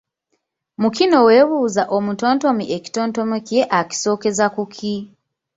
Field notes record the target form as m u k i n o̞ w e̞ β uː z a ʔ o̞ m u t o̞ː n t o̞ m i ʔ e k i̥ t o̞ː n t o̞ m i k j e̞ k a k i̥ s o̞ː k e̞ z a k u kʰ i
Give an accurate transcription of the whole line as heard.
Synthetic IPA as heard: m u k i n o̞ w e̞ β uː z a ʔ o̞ m u t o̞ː n t o̞ m i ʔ e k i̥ t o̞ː n t o̞ m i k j e̞ ʔ a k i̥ s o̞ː k e̞ z a k u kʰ i